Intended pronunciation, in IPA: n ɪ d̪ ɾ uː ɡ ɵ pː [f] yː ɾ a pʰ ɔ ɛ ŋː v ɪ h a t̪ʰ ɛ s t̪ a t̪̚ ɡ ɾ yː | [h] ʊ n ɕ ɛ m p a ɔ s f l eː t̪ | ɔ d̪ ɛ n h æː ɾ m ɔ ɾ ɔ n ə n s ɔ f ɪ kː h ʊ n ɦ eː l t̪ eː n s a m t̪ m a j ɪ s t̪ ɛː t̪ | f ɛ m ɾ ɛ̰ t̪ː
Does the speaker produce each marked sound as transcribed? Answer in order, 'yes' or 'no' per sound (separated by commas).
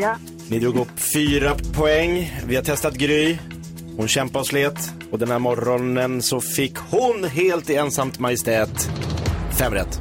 yes, yes